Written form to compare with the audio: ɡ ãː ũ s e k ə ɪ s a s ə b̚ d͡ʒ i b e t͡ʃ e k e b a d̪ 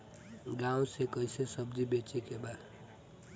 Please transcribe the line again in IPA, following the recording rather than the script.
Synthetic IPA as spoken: ɡ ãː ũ s e k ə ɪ s e s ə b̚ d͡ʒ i b e t͡ʃ e k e b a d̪